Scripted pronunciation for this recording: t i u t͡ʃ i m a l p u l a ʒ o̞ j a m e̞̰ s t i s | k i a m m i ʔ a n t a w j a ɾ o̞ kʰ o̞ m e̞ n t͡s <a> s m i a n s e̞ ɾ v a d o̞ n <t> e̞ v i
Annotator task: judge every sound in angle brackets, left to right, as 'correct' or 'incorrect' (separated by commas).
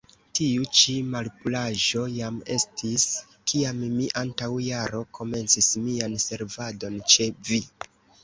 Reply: incorrect, incorrect